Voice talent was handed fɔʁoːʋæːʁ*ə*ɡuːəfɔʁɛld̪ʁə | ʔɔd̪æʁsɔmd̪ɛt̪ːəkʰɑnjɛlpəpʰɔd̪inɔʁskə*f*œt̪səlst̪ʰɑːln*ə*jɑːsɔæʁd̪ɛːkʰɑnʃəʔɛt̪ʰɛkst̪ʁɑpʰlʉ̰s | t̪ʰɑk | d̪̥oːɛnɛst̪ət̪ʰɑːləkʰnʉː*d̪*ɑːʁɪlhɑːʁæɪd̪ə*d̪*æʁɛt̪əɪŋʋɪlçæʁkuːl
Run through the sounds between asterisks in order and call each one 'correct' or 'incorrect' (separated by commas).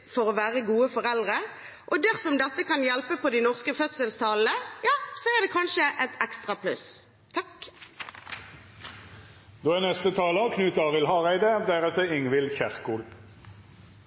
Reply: correct, correct, correct, incorrect, correct